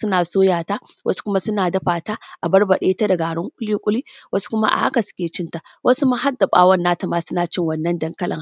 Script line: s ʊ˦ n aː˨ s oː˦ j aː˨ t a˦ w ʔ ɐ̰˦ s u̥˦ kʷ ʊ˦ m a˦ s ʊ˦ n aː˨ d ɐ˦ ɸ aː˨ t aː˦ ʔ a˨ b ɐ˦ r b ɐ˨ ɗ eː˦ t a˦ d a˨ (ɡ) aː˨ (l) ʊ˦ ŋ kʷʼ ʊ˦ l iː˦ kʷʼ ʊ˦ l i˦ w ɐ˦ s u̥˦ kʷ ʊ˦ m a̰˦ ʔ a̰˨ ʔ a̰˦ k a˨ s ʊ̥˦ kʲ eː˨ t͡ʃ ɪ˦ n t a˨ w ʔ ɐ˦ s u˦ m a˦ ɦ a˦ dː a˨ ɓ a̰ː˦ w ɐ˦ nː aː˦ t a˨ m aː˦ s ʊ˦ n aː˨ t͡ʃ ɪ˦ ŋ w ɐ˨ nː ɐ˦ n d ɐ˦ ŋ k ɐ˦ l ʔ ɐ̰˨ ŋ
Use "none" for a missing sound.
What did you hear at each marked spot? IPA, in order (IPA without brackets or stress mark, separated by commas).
ɡ, ɽ